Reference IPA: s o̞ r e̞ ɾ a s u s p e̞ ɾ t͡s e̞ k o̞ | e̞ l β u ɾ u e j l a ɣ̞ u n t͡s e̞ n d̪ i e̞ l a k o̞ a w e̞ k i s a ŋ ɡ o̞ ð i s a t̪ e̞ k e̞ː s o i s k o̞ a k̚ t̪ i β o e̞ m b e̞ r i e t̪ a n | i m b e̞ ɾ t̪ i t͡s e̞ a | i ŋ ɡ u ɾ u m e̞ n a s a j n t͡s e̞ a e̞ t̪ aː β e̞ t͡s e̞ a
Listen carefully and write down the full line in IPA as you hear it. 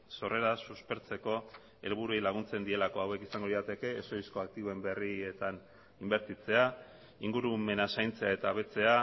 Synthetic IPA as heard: s o̞ r e̞ ɾ a s u s p e̞ ɾ t͡s e̞ k o̞ | e̞ l β u ɾ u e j l a ɣ̞ u n t͡s e̞ n d̪ i e̞ l a k o̞ a w e̞ k i s a ŋ ɡ o̞ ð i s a t̪ e̞ k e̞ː s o i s k o̞ a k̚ t̪ i β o e̞ m b e̞ r i e t̪ a n | i m b e̞ ɾ t̪ i t͡s e̞ a | i ŋ ɡ u ɾ u m e̞ n a s a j n t͡s e̞ a e̞ t̪ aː β e̞ t͡s e̞ a